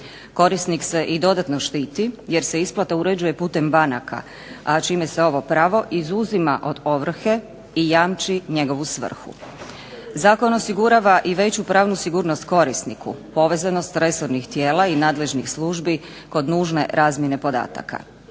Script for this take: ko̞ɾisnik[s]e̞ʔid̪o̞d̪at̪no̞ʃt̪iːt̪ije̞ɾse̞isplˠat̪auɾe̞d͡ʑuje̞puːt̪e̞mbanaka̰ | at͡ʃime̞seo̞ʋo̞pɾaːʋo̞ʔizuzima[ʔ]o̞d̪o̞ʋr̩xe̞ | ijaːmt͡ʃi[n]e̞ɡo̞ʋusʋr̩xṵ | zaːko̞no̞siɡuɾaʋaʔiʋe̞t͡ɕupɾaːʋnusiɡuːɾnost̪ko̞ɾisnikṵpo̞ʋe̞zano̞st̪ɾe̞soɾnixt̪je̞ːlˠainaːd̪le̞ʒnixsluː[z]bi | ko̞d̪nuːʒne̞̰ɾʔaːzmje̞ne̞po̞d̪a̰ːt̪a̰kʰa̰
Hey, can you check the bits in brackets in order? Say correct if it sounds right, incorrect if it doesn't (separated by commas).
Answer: correct, correct, incorrect, incorrect